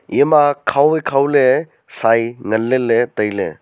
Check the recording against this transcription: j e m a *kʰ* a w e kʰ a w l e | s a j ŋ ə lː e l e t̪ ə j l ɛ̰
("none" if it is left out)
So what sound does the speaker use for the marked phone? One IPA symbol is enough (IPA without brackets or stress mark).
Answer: kʰ